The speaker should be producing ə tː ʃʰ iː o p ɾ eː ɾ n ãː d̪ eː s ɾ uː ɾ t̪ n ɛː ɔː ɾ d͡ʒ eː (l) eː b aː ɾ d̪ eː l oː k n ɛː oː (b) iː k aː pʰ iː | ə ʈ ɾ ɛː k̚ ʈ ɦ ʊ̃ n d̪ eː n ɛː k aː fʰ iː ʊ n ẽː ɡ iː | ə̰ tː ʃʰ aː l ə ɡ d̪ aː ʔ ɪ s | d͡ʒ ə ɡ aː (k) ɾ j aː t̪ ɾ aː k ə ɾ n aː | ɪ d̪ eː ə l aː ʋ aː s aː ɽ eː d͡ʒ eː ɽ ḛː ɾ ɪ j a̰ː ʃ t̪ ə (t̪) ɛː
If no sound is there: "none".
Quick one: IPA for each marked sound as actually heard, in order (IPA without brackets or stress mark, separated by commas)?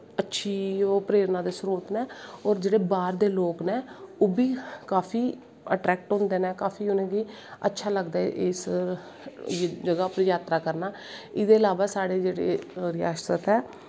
ɽ, b, p, t̪